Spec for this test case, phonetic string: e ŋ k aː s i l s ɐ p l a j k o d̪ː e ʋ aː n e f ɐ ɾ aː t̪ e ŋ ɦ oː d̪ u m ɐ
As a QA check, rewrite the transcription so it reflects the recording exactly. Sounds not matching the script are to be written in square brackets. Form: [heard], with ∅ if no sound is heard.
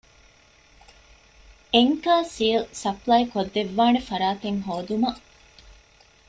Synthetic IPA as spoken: e ŋ k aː s i l s ɐ p l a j k o d̪ː e [ʋː] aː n e f ɐ ɾ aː t̪ e ŋ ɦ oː d̪ u m ɐ